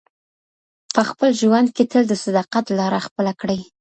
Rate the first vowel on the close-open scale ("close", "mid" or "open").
mid